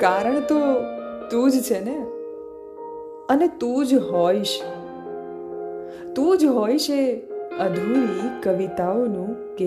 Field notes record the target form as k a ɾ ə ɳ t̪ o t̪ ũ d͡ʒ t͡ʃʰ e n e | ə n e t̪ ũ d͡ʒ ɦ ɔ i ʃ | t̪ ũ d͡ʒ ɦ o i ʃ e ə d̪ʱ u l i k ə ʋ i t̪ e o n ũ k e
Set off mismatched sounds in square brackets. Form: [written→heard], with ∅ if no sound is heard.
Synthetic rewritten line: k a ɾ ə ɳ t̪ o t̪ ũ d͡ʒ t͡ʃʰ e n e | ə n e t̪ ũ d͡ʒ ɦ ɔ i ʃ | t̪ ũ d͡ʒ ɦ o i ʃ e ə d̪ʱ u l i k ə ʋ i t̪ [e→a] o n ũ k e